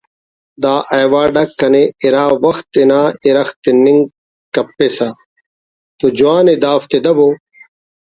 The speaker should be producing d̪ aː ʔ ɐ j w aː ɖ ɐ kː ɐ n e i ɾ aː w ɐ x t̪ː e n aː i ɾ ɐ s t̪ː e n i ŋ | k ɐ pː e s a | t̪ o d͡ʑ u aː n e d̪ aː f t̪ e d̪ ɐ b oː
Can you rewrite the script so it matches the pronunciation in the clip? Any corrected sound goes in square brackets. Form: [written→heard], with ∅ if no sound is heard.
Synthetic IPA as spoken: d̪ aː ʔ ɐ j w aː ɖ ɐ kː ɐ n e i ɾ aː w ɐ x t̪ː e n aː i ɾ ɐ [s→x] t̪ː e n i ŋ | k ɐ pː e s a | t̪ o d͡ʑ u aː n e d̪ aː f t̪ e d̪ ɐ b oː